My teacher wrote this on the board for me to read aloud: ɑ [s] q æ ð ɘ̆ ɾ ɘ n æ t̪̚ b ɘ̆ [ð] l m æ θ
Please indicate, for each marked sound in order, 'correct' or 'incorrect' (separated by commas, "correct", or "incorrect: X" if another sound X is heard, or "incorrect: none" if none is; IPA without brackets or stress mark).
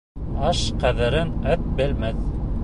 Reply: incorrect: ʃ, incorrect: none